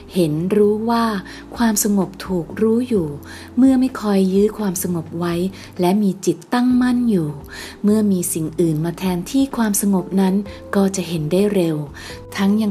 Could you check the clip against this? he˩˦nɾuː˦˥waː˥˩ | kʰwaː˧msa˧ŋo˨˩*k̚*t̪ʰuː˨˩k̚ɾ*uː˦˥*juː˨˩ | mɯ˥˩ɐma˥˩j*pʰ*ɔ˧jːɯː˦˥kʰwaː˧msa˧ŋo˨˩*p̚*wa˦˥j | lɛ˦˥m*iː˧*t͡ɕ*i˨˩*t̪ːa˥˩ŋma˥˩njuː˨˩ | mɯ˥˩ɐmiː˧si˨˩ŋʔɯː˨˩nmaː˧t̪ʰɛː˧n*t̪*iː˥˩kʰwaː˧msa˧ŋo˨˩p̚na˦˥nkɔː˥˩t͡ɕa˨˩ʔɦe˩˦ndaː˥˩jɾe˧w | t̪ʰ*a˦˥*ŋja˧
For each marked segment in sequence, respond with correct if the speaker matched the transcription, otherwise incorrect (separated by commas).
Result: incorrect, correct, incorrect, correct, correct, correct, incorrect, correct